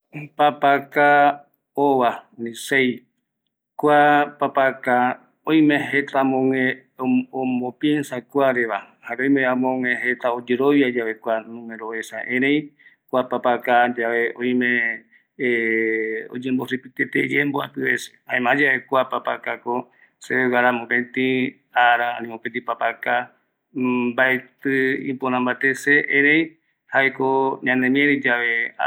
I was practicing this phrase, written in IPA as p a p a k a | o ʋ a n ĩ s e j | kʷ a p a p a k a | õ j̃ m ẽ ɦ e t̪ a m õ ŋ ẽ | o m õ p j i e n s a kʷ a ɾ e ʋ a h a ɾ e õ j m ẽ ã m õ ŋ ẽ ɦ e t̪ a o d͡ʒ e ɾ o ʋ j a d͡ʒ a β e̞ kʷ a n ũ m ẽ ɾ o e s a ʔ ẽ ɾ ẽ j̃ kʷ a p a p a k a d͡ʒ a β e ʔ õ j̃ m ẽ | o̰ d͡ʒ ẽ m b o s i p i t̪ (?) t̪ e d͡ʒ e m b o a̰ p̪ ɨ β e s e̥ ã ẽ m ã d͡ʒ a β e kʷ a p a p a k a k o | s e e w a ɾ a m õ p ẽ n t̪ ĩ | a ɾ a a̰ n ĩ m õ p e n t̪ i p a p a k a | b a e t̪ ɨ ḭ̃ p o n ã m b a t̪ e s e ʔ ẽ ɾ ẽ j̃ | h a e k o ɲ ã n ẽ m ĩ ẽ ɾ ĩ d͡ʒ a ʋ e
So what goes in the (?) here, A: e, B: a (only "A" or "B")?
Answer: A